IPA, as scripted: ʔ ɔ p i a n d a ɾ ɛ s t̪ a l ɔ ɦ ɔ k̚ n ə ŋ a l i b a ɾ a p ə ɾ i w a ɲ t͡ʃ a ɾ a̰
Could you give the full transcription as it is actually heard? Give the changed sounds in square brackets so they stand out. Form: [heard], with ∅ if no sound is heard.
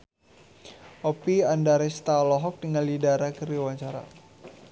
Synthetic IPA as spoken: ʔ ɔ p i a n d a ɾ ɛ s t̪ a l ɔ ɦ ɔ k̚ [d] ə ŋ a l i [d] a ɾ a [k] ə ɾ i w a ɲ t͡ʃ a ɾ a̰